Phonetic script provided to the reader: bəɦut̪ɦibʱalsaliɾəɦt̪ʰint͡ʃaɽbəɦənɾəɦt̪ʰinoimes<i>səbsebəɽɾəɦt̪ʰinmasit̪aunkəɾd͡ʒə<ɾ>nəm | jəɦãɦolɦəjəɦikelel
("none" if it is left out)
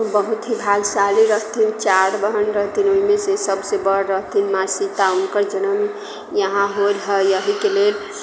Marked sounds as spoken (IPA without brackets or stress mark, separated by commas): e, none